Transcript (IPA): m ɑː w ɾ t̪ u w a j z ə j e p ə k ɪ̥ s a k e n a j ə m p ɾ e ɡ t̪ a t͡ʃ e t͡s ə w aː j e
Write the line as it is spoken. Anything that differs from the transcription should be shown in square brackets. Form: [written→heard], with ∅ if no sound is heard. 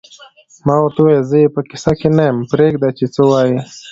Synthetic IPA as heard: m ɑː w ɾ t̪ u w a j z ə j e p ə k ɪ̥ s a k e n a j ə m p ɾ e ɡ [t̪→d̪] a t͡ʃ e t͡s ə w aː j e